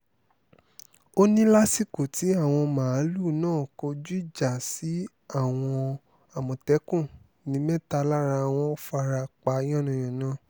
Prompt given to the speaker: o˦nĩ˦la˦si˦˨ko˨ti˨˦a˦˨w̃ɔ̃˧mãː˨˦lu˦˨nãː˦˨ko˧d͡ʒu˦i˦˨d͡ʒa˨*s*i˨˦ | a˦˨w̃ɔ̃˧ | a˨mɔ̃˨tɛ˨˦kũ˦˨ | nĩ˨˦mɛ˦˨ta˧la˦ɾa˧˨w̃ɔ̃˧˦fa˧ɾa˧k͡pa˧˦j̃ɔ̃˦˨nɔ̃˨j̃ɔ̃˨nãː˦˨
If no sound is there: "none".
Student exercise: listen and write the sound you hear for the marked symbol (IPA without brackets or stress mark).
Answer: s